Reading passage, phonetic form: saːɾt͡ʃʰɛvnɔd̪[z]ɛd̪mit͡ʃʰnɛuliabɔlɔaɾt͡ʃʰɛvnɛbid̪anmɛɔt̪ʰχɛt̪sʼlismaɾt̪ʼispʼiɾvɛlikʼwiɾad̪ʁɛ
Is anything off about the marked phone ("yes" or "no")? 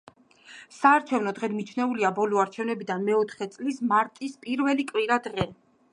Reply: yes